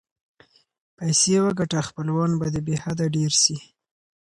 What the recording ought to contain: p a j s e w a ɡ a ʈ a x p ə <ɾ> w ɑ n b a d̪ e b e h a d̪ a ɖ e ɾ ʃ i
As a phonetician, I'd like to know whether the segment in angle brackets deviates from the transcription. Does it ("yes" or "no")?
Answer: yes